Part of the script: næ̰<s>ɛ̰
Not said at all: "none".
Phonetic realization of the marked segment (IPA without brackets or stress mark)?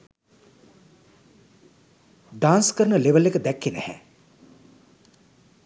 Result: h